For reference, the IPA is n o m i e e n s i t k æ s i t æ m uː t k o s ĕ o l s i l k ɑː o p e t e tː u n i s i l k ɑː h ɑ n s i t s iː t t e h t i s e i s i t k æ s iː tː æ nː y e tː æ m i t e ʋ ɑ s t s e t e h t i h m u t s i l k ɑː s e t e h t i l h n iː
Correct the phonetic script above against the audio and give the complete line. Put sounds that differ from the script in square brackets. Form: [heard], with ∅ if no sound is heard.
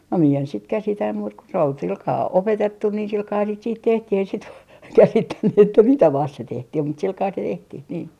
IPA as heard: n o m i e e n s i t k æ s i t æ m uː t k o s ĕ o l s i l k ɑː o p e t e tː u n i s i l k ɑː h ɑ n s i t s iː t t e h t i [h] e i s i t k æ s [i] tː æ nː y e tː æ m i t [æ] ʋ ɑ s t s e t e h t i h m u t s i l k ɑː s e t e h t i [∅] h n iː

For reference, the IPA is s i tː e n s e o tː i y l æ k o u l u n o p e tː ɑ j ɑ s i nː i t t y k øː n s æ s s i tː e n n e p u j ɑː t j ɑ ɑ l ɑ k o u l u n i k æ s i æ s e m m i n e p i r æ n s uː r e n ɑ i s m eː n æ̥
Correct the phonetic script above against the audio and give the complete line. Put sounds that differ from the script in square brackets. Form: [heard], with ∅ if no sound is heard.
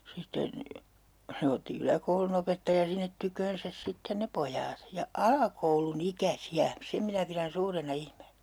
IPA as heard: s i tː e n s e o tː i y l æ k o u l u n o p e tː ɑ j ɑ s i nː [e] t t y k øː n s æ s s i tː e n n e p [o] j ɑː t j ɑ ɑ l ɑ k o u l u n i k æ s i æ s e m m i n [æ] p i r æ n s uː r e n ɑ i [h] m eː n æ̥

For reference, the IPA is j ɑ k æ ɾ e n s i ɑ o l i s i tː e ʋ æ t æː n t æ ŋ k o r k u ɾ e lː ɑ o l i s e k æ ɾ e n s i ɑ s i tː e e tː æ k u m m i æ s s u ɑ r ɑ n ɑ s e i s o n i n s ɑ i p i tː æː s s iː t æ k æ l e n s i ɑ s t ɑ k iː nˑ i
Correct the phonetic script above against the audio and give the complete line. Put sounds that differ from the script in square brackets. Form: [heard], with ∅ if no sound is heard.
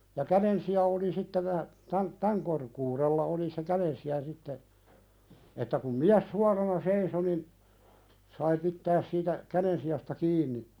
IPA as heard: j ɑ k æ ɾ e n s i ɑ o l i s i tː e ʋ æ t [æ] n t æ ŋ k o r k [uː] ɾ e lː ɑ o l i s e k æ ɾ e n s i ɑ s i tː e e tː æ k u m m i æ s s u ɑ r ɑ n ɑ s e i s o n i n s ɑ i p i tː æː s s iː t æ k æ [ɾ] e n s i ɑ s t ɑ k iː nˑ i

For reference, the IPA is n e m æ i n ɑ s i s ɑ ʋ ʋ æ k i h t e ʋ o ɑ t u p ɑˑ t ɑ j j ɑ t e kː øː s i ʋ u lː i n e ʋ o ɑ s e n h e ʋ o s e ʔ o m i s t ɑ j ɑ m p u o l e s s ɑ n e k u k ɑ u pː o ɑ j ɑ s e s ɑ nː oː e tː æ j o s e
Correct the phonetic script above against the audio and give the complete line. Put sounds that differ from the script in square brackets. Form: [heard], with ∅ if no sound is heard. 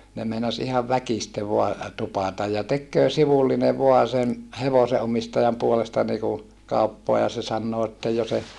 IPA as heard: n e m [e] i n ɑ s i [h] ɑ ʋ ʋ æ k i [s] t e ʋ o ɑ t u p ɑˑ t ɑ j j ɑ t e kː øː s i ʋ u lː i n e ʋ o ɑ s e n h e ʋ o s e ʔ o m i s t ɑ j ɑ m p u o l e s [t] ɑ n [i] k u k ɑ u pː o ɑ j ɑ s e s ɑ nː oː e tː æ j o s e

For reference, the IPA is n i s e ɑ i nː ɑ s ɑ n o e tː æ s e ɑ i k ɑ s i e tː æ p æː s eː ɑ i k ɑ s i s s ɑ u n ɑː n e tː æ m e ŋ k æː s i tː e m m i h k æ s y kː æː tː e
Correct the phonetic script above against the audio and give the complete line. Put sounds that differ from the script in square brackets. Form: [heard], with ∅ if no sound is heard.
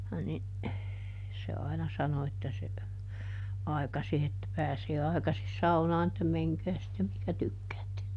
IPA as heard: n i s e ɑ i [n] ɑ s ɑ n o e tː æ s e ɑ i k ɑ s i e tː æ p æː s eː ɑ i k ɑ s i s s ɑ u n ɑː n e tː æ m e ŋ k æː s i tː e m m i h k æ [t] y kː æː tː e

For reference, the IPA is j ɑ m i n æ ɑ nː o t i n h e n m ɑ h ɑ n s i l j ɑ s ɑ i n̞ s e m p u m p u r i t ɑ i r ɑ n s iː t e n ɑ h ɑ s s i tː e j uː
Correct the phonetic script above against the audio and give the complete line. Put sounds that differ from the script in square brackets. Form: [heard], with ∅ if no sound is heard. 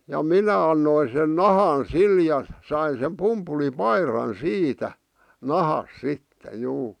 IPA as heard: j ɑ m i n æ ɑ nː o [∅] i n [s] e n [n] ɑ h ɑ n s i l j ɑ s ɑ i n̞ s e m p u m p u [l] i [p] ɑ i r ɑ n s iː t [æ] n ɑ h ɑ s s i tː e j uː

